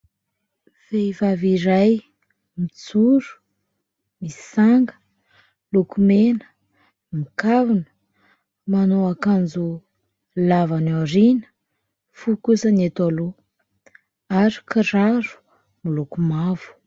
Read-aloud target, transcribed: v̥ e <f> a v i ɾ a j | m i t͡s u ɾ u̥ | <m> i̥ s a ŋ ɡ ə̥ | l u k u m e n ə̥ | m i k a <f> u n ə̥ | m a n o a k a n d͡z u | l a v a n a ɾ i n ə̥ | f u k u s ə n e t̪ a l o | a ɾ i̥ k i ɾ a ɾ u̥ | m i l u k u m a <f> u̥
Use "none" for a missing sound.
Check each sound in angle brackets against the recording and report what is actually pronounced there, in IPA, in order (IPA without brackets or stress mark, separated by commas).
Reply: v, m, v, v